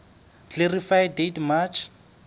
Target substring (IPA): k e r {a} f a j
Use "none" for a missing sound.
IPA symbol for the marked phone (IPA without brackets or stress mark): i